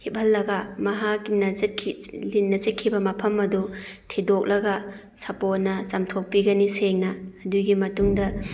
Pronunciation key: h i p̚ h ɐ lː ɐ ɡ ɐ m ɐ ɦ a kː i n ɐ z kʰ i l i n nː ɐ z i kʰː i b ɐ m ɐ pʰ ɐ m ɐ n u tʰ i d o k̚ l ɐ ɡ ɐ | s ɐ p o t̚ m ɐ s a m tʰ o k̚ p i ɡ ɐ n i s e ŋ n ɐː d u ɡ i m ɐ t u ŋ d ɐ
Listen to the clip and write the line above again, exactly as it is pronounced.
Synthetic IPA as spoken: h i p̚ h ɐ lː ɐ ɡ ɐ m ɐ ɦ a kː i n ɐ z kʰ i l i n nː ɐ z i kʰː i b ɐ m ɐ pʰ ɐ m ɐ d u tʰ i d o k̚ l ɐ ɡ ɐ | s ɐ p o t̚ n ɐ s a m tʰ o k̚ p i ɡ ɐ n i s e ŋ n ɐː d u ɡ i m ɐ t u ŋ d ɐ